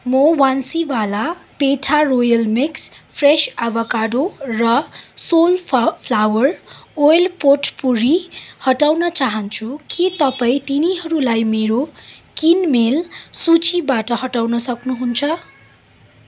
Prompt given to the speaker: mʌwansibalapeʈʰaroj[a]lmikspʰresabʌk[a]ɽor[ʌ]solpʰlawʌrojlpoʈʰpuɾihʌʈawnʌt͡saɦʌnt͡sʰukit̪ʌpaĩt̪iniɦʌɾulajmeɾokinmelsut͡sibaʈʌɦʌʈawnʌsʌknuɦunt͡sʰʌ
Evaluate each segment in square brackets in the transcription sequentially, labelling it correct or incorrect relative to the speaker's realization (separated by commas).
incorrect, correct, correct